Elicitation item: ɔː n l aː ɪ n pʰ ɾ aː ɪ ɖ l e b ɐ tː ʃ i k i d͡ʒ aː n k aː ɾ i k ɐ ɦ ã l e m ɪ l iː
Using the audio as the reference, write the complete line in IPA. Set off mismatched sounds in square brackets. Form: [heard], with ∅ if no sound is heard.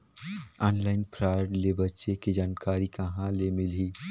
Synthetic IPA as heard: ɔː n l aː ɪ n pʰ ɾ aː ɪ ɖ l e b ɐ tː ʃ [e] k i d͡ʒ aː n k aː ɾ i k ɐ ɦ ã l e m ɪ l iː